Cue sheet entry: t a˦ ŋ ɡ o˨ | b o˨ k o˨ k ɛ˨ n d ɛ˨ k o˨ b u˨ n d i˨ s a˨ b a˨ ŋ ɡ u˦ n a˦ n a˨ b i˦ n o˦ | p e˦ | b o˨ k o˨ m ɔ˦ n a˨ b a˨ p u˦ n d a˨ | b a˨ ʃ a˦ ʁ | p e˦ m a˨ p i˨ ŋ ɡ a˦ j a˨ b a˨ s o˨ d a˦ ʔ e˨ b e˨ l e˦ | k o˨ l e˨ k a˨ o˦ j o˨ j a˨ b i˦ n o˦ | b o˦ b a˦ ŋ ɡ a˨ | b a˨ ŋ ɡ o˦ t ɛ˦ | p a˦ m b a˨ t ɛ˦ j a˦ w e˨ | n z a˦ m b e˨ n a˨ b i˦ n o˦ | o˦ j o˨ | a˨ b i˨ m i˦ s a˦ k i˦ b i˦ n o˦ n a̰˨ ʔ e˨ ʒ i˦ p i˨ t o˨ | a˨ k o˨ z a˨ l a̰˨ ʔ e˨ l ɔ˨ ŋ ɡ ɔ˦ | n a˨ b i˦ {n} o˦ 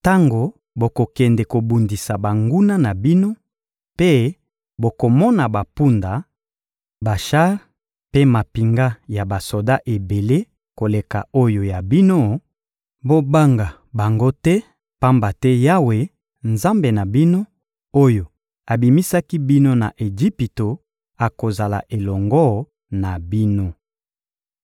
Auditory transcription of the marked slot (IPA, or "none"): n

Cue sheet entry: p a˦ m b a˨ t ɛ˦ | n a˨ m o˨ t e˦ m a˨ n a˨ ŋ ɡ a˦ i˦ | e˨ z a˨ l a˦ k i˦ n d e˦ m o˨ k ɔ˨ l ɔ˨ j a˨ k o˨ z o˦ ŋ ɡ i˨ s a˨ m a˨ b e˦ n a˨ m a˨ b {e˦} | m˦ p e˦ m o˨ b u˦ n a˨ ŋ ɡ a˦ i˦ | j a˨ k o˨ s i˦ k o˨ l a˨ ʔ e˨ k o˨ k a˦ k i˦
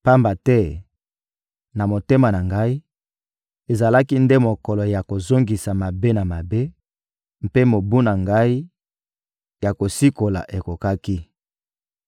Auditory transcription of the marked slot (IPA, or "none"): e˦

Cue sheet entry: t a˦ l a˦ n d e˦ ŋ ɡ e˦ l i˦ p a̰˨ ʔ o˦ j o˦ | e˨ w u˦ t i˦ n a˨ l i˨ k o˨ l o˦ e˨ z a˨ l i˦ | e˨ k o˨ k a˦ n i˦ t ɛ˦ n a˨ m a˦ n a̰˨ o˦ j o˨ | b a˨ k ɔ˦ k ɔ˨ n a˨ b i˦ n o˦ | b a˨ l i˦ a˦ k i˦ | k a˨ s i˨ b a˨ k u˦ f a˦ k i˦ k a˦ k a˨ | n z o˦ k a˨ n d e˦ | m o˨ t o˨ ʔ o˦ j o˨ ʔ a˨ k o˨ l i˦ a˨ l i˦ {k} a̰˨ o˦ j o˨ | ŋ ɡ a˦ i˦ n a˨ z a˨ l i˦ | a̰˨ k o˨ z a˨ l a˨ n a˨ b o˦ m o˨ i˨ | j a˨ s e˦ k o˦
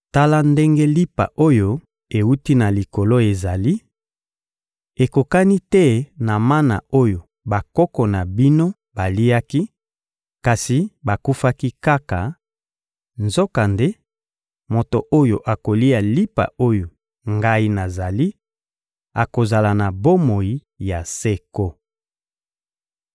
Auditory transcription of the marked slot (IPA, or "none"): p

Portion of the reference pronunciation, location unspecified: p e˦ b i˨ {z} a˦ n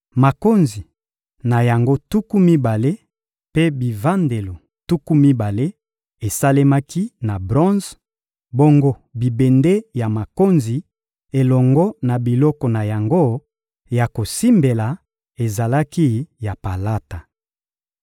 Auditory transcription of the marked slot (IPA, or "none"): v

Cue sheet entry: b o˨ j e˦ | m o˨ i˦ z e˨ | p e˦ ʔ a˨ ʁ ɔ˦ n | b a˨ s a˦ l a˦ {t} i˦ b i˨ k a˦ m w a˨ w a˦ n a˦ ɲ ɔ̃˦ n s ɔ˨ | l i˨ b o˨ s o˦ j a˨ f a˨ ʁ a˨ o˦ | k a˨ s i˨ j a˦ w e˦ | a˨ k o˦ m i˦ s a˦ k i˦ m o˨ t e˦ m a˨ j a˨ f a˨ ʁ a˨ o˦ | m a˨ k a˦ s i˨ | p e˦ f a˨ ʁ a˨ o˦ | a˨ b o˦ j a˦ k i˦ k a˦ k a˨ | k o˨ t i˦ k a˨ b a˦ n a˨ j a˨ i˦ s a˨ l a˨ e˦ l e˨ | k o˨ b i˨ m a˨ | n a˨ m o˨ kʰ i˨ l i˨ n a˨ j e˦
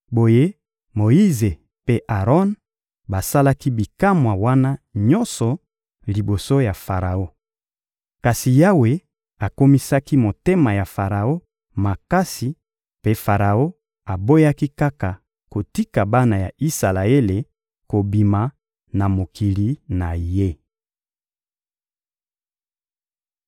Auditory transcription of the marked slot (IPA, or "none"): k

